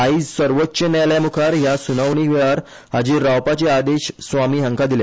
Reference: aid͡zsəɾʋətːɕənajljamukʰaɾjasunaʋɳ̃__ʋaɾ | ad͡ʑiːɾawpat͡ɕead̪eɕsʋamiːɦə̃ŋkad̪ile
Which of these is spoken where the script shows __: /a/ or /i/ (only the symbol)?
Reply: i